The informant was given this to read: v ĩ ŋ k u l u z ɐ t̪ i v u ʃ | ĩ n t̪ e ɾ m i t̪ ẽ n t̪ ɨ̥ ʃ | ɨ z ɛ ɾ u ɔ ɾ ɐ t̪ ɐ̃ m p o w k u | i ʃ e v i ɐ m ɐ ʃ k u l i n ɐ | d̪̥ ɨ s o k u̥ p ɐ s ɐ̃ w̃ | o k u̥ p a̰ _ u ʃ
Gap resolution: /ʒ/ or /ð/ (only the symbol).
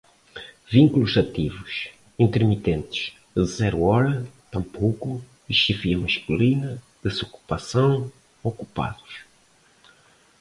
ð